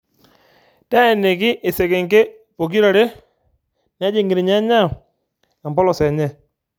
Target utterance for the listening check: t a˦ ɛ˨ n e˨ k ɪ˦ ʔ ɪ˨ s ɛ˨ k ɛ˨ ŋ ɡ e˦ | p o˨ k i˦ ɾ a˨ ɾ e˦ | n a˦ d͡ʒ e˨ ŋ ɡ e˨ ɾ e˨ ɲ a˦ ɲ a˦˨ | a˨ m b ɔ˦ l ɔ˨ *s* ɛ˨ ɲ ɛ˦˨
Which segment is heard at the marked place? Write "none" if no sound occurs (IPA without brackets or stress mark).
s